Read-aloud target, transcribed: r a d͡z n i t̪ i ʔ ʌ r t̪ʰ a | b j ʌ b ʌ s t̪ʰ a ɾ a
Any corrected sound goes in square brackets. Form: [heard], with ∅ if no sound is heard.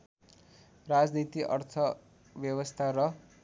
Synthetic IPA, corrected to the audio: r a d͡z n i t̪ i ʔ ʌ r t̪ʰ [ʌ] | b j ʌ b ʌ s t̪ʰ a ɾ [ʌ]